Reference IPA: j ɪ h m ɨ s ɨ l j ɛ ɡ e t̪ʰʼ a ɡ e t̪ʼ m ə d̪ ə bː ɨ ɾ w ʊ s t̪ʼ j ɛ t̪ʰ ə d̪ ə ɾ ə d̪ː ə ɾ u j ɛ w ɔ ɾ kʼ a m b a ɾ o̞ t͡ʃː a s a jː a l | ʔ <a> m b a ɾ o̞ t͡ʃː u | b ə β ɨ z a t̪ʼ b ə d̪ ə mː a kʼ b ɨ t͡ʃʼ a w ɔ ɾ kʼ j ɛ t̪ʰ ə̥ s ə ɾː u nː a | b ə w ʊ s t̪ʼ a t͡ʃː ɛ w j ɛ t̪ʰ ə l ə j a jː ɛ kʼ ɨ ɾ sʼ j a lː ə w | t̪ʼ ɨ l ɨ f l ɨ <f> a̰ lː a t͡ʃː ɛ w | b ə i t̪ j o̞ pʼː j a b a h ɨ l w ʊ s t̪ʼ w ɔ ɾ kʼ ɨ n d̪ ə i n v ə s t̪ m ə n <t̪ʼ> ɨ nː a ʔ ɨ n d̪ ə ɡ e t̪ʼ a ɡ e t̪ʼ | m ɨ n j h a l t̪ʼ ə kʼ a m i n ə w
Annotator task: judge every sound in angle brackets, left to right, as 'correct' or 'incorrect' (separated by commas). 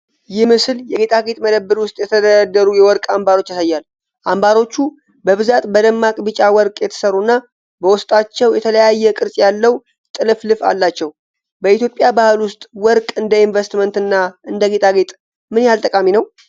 correct, correct, incorrect